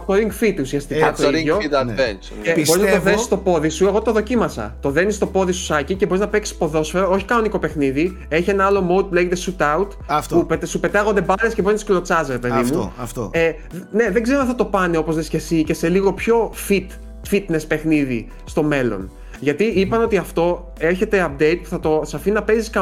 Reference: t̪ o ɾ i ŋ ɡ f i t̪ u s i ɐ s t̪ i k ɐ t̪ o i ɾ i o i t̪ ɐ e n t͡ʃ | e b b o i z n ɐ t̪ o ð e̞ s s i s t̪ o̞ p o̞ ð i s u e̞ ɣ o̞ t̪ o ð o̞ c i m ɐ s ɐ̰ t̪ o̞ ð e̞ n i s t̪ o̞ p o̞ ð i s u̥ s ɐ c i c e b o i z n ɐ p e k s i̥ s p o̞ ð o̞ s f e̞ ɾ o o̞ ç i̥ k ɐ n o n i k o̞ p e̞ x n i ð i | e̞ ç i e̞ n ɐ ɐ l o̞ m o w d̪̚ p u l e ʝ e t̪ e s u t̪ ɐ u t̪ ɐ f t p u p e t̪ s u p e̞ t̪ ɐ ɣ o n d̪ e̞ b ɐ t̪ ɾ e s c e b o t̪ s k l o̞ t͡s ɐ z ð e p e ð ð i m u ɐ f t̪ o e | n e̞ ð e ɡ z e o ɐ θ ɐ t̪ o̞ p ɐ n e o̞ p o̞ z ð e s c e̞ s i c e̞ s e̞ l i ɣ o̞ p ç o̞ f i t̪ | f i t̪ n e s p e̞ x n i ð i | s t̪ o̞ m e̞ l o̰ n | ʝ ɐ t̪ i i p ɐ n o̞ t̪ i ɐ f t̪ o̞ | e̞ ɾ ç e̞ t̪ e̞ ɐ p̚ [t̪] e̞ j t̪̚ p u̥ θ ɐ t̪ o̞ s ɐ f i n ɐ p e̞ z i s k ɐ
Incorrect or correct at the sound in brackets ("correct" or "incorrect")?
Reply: incorrect